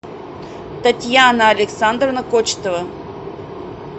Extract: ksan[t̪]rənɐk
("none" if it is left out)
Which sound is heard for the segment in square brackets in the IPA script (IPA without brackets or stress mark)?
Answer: d̪